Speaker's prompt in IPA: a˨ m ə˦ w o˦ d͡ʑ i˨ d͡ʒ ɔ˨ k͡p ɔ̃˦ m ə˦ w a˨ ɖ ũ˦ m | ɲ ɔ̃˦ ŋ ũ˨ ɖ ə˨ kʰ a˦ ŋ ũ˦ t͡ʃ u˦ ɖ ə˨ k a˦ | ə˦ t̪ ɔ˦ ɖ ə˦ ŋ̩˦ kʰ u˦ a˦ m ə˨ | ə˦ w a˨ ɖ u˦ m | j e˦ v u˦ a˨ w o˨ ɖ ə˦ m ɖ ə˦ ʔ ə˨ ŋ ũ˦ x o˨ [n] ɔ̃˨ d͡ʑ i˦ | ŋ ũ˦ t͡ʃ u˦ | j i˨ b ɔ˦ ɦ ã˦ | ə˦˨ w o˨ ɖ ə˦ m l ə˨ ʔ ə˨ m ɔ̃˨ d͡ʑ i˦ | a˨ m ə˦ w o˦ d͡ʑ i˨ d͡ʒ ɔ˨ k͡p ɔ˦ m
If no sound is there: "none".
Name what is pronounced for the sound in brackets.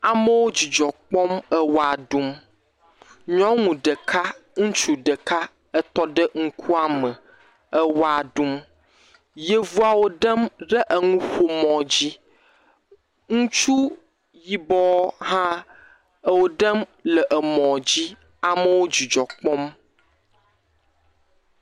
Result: m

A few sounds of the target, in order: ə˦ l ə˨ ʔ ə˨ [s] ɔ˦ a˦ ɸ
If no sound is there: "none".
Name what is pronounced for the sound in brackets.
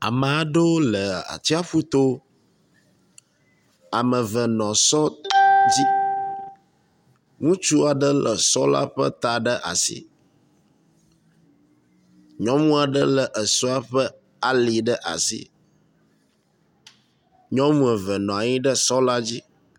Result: s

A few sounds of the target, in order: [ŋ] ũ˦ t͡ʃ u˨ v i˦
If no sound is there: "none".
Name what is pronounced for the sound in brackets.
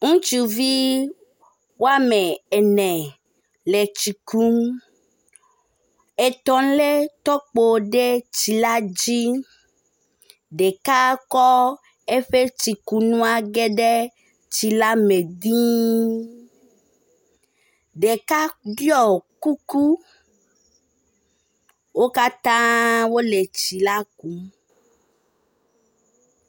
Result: ŋ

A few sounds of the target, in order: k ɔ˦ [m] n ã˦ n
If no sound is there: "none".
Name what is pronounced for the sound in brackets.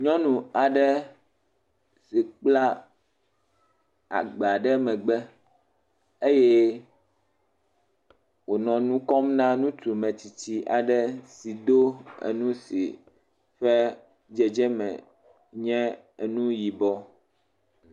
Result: m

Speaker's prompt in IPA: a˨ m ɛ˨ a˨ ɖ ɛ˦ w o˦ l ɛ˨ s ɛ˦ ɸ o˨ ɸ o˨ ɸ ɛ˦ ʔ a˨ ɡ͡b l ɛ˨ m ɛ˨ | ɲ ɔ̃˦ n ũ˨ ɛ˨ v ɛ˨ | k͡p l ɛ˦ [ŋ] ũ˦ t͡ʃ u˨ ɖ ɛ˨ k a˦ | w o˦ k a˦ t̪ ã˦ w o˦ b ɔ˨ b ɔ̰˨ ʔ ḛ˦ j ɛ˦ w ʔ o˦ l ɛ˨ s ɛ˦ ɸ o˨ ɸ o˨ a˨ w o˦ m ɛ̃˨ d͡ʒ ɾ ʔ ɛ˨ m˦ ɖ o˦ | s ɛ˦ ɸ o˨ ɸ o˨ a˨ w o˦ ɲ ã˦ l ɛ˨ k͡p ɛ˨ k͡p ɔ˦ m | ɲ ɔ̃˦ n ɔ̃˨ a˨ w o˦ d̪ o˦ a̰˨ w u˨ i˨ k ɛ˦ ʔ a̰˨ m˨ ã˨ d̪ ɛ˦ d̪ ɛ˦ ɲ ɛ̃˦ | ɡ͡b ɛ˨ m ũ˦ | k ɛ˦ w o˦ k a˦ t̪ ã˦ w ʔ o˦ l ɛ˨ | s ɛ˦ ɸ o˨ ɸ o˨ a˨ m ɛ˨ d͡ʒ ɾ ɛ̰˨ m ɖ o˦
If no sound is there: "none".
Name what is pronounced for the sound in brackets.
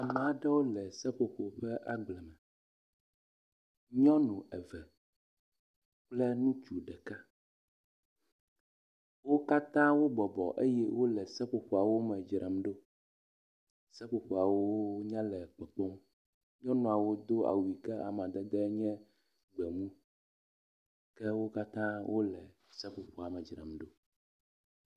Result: n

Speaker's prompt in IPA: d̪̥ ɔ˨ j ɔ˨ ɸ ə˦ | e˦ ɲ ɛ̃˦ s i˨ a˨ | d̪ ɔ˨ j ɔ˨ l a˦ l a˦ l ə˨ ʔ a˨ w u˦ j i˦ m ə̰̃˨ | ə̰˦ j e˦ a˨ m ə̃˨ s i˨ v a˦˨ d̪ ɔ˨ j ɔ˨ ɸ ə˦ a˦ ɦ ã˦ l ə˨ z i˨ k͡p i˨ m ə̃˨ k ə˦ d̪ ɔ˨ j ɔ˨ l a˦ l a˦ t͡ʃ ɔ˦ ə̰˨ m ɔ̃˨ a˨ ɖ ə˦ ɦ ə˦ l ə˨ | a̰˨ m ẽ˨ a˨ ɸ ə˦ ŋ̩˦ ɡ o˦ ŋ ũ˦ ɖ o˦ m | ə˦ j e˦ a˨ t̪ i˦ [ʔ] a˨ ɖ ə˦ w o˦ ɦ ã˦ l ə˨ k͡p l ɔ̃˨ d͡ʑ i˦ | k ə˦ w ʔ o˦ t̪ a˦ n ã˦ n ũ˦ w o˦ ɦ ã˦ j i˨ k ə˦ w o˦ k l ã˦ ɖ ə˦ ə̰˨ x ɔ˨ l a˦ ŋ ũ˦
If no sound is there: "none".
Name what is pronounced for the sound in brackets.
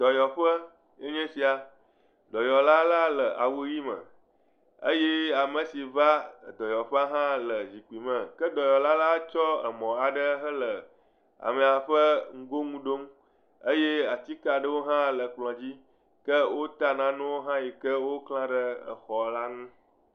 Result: k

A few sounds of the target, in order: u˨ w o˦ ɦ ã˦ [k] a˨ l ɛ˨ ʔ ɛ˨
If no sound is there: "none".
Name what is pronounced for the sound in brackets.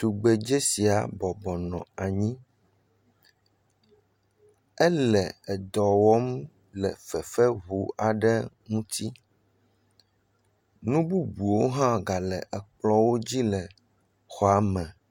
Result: ɡ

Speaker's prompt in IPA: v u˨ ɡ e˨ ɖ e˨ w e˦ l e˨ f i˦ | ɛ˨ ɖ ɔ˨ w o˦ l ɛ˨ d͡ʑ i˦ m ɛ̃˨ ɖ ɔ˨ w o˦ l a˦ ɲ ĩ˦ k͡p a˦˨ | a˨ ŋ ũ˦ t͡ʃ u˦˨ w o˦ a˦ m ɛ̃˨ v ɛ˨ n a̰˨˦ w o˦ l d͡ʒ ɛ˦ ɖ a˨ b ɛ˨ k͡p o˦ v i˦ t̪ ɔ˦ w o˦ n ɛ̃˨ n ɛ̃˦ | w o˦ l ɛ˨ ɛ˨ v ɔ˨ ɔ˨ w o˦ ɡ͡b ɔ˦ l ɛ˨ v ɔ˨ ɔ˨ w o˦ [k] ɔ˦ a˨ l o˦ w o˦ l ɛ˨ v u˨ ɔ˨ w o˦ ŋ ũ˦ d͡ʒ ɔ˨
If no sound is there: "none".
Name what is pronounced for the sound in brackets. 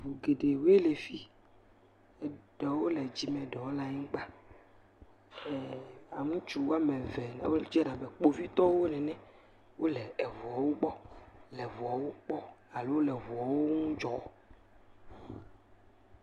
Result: k͡p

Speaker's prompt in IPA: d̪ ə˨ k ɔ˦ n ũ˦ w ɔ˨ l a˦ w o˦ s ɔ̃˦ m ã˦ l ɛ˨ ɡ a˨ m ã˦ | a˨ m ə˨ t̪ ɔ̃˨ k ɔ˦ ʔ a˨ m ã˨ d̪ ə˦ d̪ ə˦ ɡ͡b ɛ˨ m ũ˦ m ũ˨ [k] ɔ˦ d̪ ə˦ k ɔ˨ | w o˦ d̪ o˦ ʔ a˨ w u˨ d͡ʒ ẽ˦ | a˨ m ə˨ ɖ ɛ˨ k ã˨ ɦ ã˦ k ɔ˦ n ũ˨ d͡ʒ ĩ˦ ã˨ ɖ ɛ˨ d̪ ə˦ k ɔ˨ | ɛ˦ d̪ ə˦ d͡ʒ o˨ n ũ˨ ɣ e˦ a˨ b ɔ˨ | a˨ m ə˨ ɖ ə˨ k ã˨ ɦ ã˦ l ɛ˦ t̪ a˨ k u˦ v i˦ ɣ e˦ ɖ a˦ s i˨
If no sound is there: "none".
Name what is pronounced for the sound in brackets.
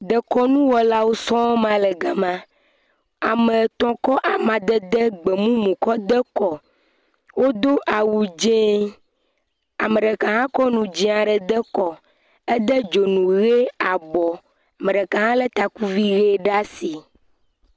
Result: k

